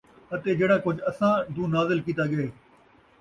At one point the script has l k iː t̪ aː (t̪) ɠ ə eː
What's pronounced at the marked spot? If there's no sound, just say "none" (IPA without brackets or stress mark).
none